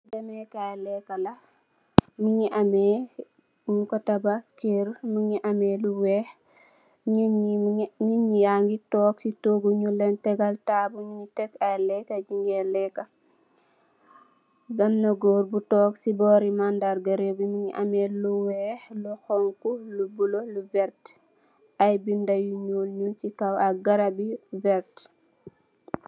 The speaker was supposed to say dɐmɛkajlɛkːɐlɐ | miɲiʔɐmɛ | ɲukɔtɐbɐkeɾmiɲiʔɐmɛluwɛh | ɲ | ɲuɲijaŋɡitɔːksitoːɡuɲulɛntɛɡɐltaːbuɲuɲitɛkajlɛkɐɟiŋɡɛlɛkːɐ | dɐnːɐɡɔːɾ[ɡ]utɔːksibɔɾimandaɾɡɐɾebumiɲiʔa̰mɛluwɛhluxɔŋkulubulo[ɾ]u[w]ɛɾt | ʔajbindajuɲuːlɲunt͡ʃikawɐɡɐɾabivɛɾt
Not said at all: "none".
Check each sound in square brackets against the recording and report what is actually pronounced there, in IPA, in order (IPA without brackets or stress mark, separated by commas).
b, l, v